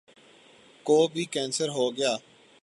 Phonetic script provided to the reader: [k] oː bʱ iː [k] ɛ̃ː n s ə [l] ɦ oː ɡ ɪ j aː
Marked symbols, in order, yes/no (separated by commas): yes, yes, no